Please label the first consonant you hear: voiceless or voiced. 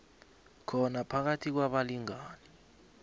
voiceless